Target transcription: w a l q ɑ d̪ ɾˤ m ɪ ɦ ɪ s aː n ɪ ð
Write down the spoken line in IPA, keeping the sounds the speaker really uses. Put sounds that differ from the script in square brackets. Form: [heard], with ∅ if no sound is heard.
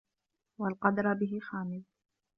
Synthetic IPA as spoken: w a l q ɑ d̪ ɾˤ [b] ɪ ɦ ɪ [x] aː [m] ɪ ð